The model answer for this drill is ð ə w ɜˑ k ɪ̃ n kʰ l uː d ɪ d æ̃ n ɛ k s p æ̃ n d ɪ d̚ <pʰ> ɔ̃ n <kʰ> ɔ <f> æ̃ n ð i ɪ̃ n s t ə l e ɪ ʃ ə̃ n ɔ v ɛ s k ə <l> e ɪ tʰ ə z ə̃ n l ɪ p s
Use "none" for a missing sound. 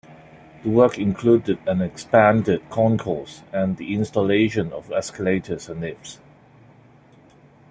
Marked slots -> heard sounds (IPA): kʰ, kʰ, s, l

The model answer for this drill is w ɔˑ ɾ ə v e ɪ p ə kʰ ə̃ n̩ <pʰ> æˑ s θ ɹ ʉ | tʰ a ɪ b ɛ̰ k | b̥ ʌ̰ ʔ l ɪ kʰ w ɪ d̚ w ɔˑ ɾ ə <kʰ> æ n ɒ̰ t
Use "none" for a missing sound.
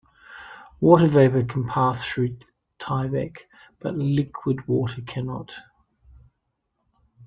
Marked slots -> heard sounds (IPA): pʰ, kʰ

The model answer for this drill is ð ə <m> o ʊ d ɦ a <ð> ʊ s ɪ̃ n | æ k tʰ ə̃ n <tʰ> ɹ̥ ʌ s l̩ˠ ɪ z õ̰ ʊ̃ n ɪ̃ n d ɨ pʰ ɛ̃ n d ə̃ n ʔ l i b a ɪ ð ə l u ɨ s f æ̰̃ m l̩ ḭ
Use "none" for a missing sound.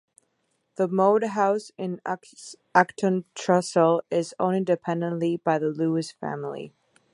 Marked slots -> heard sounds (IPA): m, none, tʰ

